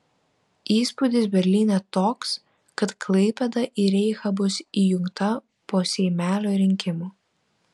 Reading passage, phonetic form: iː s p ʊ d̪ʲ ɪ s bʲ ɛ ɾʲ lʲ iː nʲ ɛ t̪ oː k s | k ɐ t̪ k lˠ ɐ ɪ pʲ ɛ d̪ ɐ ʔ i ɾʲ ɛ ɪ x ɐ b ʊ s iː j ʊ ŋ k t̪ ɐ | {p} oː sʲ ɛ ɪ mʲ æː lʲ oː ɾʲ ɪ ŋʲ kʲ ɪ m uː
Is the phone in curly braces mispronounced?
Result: no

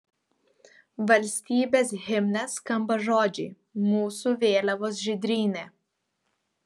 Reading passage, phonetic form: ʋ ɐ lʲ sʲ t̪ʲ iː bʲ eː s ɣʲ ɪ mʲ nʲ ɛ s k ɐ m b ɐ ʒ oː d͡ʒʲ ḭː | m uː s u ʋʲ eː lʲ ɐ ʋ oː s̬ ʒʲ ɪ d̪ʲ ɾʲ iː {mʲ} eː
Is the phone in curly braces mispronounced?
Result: yes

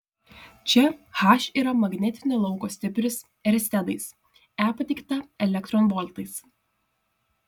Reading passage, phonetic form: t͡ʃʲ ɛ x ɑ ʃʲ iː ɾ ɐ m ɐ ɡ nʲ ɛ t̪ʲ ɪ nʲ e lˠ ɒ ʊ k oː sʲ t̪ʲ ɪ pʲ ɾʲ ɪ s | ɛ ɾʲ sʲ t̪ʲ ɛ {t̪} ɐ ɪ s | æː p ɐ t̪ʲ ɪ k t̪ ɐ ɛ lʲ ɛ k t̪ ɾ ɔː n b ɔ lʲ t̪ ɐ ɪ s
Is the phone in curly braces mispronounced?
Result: yes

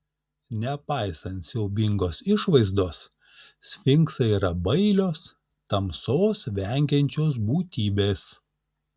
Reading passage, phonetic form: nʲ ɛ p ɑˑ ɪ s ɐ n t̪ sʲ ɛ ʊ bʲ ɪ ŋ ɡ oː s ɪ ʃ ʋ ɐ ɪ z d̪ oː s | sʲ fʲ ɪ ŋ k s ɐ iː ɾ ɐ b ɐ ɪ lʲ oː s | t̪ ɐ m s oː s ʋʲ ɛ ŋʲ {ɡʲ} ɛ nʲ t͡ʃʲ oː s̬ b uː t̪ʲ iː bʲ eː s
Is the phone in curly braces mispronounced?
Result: no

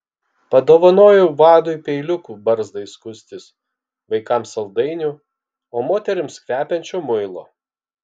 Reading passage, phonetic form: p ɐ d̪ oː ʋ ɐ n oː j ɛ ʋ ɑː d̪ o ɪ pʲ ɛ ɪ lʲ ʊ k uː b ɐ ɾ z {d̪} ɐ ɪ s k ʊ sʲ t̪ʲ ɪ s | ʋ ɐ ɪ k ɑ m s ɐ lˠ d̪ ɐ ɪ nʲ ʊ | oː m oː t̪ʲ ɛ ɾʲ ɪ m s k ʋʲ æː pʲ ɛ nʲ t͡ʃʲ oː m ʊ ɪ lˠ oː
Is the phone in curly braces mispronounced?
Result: no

